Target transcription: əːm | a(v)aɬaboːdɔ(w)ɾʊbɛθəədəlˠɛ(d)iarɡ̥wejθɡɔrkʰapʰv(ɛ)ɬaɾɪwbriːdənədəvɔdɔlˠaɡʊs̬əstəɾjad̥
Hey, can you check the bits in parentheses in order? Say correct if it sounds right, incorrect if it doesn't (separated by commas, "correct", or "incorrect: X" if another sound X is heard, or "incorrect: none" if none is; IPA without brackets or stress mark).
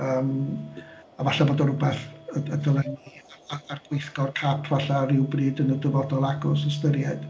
correct, incorrect: none, incorrect: n, incorrect: a